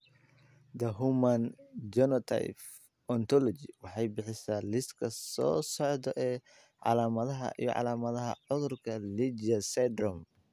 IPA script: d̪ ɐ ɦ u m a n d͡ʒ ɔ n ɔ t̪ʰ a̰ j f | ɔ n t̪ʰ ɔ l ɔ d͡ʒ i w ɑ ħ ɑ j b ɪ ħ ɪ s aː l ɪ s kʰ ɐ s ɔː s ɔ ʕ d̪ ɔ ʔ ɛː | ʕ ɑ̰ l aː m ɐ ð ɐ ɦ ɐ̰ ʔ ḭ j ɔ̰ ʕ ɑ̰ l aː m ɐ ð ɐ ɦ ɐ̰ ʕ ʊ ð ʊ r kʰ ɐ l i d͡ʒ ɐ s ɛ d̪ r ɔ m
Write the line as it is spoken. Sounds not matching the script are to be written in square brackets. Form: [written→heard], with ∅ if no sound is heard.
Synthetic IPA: d̪ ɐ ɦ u m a n d͡ʒ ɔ n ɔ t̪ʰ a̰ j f | ɔ n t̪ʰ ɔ l ɔ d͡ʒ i w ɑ ħ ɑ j b ɪ ħ ɪ s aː l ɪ s kʰ ɐ s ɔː s ɔ ʕ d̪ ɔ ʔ ɛː | ʕ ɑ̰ l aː m ɐ ð ɐ ɦ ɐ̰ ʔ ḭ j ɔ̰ ʕ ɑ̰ l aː m ɐ ð ɐ ɦ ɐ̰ ʕ ʊ ð ʊ r kʰ ɐ l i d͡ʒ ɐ s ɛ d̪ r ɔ m